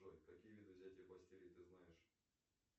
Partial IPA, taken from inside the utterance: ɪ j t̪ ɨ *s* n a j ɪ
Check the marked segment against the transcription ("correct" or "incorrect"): incorrect